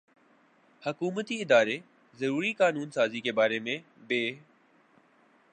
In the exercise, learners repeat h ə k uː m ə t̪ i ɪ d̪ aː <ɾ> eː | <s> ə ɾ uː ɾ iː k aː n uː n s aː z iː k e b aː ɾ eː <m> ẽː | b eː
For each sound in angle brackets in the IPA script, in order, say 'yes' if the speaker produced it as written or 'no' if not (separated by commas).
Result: yes, no, yes